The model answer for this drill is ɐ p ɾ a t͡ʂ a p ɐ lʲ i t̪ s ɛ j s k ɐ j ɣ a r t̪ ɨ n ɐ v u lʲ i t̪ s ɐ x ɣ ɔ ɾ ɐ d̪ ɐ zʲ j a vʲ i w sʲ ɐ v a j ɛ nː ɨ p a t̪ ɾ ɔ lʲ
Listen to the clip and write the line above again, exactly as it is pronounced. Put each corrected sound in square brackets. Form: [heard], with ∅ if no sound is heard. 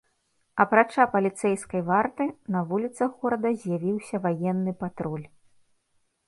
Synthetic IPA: ɐ p ɾ a t͡ʂ a p ɐ lʲ i t̪ s ɛ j s k ɐ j [v] a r t̪ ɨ n ɐ v u lʲ i t̪ s ɐ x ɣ ɔ ɾ ɐ d̪ ɐ zʲ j a vʲ i w sʲ ɐ v a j ɛ nː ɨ p a t̪ ɾ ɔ lʲ